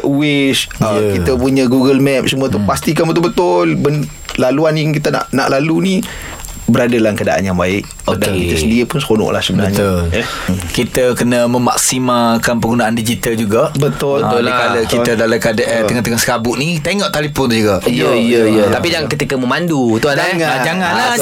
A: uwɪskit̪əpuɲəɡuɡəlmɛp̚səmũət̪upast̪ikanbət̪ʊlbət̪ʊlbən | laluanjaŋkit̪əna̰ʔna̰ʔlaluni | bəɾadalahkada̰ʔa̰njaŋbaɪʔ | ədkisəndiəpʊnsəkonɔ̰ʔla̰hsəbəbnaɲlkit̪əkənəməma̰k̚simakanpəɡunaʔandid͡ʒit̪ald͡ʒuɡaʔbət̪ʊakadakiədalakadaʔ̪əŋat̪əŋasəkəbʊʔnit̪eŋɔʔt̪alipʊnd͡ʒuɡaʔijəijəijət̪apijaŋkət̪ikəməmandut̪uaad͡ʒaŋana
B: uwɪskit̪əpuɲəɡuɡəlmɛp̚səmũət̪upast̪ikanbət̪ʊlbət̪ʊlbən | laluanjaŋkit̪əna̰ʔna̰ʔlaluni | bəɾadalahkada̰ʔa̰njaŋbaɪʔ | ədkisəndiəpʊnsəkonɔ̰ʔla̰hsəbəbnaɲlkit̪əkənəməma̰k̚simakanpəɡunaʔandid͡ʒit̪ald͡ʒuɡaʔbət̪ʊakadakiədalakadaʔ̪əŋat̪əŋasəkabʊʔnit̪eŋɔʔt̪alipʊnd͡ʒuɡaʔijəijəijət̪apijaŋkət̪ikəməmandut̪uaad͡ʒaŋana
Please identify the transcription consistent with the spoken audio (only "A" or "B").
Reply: B